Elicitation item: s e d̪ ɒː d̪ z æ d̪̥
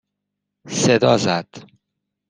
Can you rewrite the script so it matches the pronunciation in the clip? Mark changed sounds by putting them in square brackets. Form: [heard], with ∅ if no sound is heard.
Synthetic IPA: s e d̪ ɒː [∅] z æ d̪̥